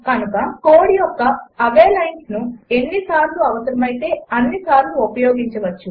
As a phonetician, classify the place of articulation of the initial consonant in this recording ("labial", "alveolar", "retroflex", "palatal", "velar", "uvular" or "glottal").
velar